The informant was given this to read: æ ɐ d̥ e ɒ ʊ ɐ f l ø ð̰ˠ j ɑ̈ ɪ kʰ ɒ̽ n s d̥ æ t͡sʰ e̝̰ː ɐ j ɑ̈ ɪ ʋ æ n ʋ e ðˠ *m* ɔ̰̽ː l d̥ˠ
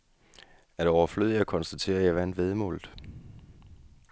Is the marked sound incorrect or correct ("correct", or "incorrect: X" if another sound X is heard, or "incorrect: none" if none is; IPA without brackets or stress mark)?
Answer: correct